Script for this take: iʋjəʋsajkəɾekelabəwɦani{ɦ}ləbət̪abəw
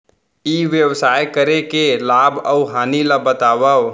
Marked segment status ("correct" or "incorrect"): incorrect